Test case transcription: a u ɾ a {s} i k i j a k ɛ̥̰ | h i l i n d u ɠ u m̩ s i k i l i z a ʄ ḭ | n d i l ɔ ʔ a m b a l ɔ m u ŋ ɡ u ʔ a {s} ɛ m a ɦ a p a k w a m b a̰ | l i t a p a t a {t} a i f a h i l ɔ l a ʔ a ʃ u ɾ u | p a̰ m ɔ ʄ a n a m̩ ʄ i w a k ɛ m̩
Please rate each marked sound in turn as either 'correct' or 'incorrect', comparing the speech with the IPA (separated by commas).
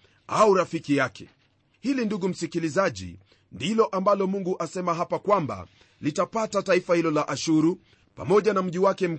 incorrect, correct, correct